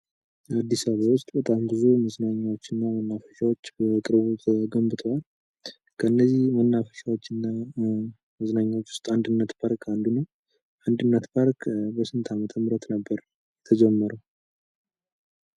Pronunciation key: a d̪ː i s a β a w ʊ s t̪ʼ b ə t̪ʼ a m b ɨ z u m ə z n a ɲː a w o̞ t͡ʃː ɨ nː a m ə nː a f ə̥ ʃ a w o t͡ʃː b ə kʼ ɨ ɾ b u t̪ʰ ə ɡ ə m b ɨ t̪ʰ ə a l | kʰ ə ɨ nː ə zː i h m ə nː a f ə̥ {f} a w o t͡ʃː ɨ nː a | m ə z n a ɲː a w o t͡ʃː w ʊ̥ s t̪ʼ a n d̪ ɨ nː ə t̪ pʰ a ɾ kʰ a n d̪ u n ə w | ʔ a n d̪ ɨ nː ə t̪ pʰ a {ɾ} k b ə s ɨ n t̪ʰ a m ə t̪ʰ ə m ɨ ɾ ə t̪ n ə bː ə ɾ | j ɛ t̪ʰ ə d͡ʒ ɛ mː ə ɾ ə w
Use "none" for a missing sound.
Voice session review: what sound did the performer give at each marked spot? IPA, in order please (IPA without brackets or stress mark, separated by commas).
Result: ʃ, ɾ